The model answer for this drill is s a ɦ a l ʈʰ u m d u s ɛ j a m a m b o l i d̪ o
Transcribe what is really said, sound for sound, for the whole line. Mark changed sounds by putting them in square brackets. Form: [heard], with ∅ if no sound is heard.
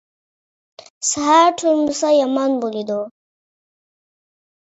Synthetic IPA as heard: s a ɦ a [ɾ] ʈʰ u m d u s [a] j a m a [n] b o l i d̪ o